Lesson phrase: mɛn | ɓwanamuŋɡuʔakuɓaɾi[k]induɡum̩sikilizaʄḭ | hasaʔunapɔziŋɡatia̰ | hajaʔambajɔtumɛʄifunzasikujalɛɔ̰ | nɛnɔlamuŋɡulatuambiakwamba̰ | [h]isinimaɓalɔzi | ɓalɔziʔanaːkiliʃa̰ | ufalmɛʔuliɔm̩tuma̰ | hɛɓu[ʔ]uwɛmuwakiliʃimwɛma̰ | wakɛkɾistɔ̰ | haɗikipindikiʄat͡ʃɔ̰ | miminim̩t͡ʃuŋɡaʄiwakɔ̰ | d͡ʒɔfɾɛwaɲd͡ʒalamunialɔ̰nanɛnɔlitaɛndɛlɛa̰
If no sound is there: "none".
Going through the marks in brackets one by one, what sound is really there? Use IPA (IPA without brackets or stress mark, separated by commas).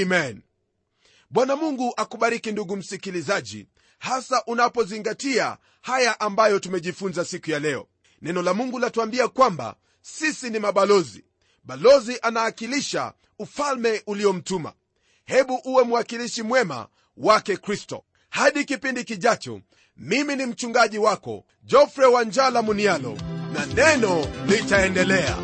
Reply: k, s, ʔ